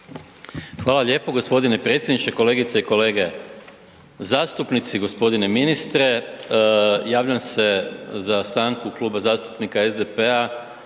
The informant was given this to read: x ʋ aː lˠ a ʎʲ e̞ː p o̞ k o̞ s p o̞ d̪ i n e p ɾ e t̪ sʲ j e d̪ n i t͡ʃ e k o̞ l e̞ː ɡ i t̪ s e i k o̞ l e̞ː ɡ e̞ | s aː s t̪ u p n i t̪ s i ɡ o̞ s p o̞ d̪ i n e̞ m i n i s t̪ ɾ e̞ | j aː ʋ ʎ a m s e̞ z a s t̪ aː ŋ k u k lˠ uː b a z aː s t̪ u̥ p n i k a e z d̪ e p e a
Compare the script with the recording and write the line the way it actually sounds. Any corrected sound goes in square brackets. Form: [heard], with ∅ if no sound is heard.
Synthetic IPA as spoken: x ʋ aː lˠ a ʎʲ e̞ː p o̞ [ɡ] o̞ s p o̞ d̪ i n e p ɾ e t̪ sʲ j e d̪ n i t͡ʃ e k o̞ l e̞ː ɡ i t̪ s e i k o̞ l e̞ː ɡ e̞ | [z] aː s t̪ u p n i t̪ s i ɡ o̞ s p o̞ d̪ i n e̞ m i n i s t̪ ɾ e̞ | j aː ʋ ʎ a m s e̞ z a s t̪ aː ŋ k u k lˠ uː b a z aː s t̪ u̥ p n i k a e z d̪ e p e a